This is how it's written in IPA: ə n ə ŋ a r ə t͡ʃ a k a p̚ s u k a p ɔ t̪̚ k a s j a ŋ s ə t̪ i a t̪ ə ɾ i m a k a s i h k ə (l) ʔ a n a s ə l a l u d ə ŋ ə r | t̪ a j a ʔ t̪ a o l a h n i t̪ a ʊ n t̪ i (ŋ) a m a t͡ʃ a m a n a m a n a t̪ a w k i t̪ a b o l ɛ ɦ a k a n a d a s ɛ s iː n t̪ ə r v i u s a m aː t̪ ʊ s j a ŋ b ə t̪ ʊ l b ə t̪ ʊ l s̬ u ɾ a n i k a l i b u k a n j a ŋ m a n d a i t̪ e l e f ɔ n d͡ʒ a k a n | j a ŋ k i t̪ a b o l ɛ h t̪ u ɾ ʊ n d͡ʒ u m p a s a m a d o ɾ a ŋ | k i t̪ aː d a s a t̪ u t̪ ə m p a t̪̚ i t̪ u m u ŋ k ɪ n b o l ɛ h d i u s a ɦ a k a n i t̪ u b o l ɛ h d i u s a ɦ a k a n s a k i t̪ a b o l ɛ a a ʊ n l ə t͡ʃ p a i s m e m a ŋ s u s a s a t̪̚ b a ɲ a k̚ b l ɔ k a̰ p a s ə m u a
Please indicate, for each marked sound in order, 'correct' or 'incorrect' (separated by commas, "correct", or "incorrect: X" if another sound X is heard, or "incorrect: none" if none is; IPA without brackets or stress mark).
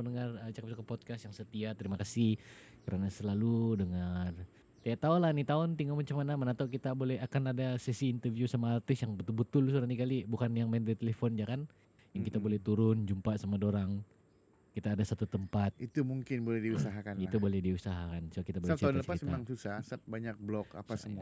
incorrect: ɾ, correct